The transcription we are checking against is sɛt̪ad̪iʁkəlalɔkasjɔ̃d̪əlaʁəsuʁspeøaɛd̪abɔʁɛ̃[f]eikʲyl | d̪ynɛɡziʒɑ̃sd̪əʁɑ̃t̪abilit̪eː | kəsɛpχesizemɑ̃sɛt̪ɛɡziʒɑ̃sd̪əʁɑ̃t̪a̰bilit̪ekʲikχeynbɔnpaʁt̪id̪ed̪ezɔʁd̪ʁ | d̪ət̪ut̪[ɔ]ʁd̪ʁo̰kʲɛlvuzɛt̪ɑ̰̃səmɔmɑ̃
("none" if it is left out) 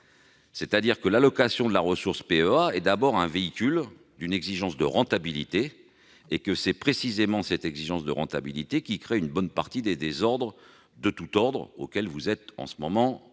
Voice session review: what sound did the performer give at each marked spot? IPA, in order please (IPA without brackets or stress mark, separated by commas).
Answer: v, ɔ